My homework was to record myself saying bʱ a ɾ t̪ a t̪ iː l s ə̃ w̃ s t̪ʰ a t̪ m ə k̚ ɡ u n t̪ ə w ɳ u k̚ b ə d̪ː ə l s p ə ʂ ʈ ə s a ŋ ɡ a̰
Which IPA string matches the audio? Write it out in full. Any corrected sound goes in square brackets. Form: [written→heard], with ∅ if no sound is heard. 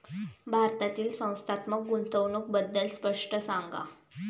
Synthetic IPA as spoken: bʱ a ɾ t̪ a t̪ iː l s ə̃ w̃ s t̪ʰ a t̪ m ə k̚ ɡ u n t̪ ə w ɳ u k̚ b ə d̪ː ə l s p ə ʂ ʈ ə s a ŋ ɡ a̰